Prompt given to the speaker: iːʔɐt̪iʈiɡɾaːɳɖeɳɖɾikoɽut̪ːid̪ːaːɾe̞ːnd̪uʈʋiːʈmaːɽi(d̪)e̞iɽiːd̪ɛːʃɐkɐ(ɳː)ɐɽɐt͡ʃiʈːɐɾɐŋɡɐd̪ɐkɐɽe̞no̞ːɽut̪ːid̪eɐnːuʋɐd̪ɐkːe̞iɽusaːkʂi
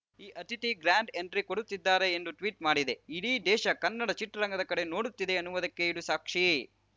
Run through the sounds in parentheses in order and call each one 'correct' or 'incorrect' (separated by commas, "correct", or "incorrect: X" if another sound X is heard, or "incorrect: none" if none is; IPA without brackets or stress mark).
correct, incorrect: nː